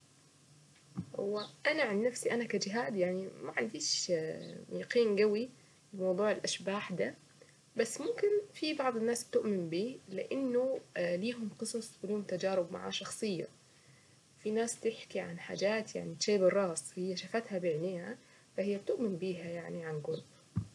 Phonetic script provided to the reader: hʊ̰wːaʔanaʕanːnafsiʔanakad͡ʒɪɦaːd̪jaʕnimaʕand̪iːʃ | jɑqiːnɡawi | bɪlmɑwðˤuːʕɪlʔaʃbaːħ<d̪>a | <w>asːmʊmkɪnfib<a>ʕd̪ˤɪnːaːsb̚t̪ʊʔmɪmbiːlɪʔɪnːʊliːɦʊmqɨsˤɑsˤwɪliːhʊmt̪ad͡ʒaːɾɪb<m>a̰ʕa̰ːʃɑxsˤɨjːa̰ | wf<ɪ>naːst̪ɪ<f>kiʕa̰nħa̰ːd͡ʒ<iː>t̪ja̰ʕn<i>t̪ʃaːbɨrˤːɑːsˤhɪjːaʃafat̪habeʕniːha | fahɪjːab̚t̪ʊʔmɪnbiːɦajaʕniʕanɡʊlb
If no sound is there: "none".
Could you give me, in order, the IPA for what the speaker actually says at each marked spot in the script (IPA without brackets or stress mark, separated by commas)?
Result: d̪, b, ɑ, m, i, ħ, aː, i